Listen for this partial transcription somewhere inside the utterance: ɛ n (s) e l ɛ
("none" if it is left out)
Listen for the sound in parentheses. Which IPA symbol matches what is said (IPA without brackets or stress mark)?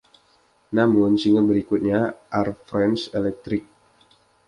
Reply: s